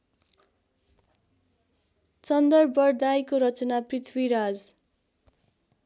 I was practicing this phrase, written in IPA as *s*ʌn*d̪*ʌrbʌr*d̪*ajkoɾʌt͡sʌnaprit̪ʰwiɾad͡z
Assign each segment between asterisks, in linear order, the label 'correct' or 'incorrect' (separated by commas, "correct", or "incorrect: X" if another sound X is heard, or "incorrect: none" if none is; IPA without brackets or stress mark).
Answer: incorrect: t͡s, correct, correct